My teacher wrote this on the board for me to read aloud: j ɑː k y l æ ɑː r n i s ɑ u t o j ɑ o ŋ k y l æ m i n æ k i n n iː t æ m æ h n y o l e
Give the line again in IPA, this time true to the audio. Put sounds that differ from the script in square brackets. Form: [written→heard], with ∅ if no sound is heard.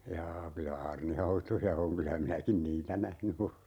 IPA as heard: j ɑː k y l æ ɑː r n i [s→h] ɑ u t o j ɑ o ŋ k y l æ m i n æ k i n n iː t æ [m→n] æ h n y o l e